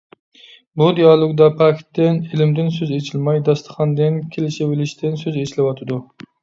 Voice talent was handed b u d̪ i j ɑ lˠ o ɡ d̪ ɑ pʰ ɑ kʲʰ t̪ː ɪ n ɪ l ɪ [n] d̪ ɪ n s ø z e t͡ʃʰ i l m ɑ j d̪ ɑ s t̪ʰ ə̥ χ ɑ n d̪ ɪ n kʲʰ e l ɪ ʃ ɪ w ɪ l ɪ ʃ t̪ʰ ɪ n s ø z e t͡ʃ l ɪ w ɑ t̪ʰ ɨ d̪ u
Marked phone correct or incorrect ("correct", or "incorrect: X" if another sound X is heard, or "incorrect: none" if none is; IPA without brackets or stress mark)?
incorrect: m